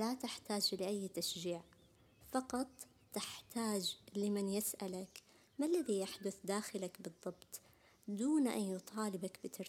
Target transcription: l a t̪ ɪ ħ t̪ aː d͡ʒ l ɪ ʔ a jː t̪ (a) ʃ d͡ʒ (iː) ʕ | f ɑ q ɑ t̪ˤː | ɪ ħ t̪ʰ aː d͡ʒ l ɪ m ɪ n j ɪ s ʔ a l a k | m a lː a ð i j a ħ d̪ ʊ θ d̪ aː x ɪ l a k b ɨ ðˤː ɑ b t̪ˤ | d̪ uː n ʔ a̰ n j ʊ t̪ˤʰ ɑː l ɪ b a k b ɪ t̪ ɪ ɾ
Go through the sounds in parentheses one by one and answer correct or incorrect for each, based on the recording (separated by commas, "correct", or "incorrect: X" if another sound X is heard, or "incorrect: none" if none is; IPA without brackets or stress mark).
correct, correct